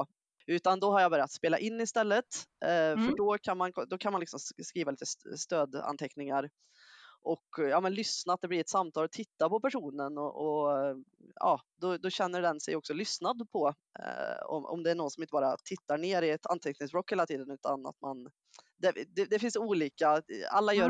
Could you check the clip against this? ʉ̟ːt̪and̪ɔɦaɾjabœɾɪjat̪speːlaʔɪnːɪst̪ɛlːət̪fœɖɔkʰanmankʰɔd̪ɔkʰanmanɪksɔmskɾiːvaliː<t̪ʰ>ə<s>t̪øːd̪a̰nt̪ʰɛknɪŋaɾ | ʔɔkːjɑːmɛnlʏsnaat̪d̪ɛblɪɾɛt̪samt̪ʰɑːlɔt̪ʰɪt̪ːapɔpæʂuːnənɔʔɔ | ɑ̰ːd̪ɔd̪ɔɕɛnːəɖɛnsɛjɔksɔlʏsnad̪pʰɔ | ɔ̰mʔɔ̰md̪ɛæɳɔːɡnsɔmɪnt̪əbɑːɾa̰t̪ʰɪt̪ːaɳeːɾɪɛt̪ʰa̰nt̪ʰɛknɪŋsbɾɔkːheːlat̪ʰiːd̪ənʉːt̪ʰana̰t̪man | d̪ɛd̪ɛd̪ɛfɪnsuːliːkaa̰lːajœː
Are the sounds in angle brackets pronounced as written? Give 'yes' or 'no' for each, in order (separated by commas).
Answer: no, yes